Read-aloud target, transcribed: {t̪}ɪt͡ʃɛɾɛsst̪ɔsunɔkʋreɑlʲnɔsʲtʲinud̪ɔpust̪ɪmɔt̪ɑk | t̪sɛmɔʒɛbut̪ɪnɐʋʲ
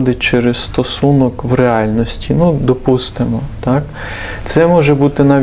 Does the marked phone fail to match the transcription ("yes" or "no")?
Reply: yes